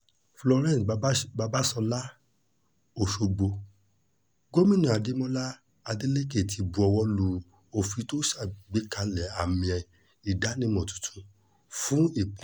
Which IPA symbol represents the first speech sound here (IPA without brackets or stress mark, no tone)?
f